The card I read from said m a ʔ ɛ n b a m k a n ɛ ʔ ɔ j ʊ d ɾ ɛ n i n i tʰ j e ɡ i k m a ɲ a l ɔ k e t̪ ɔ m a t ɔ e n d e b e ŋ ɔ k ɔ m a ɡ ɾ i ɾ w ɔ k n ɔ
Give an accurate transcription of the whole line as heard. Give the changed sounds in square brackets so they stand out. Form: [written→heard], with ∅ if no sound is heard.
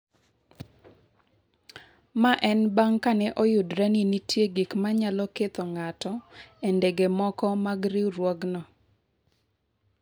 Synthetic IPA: m a ʔ ɛ n b a [m→ŋ] k a n ɛ ʔ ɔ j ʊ d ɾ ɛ n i n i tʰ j e ɡ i k m a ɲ a l ɔ k e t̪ ɔ [m→ŋ] a t ɔ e n d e [b→ɡ] e [ŋ→m] ɔ k ɔ m a ɡ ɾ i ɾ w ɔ [k→ɡ] n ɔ